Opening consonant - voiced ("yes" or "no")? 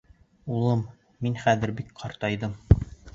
yes